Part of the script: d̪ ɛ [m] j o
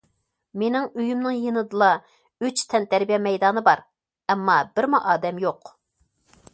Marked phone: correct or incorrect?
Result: correct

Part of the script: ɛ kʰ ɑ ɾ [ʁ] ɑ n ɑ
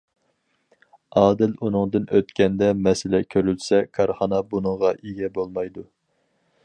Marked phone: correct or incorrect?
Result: incorrect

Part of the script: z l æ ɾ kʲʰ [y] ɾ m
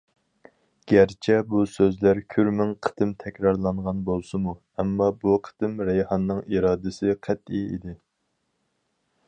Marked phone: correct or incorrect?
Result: correct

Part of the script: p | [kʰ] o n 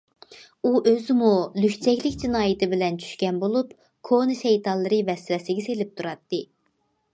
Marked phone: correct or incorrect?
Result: correct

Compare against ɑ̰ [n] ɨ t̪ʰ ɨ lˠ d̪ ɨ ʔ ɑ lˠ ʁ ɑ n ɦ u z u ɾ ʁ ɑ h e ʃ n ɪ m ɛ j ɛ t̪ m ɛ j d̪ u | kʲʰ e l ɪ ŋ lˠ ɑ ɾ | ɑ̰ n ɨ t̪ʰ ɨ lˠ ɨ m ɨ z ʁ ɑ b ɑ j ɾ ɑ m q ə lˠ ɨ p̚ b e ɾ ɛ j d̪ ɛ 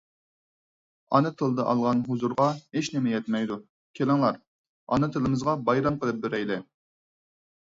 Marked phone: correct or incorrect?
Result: correct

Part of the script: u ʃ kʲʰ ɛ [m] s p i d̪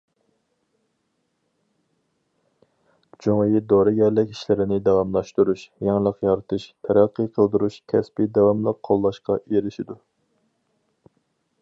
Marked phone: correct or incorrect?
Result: incorrect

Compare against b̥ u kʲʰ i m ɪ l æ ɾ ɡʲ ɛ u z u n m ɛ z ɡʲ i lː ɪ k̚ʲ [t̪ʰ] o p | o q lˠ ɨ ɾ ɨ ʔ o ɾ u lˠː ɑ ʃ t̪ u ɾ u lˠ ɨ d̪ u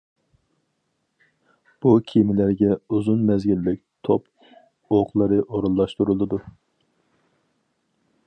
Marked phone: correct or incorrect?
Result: correct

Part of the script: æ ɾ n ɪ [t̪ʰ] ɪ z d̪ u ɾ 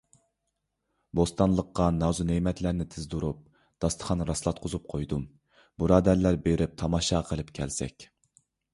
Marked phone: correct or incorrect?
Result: correct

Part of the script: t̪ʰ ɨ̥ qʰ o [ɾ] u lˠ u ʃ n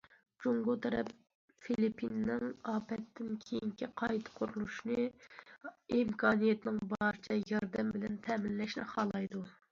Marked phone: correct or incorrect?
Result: correct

